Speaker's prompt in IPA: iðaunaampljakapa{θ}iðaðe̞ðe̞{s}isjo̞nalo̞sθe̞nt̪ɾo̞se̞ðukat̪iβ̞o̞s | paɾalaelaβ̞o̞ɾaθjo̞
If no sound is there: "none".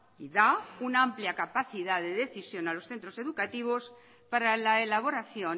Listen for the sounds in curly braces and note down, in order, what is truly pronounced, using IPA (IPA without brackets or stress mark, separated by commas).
θ, θ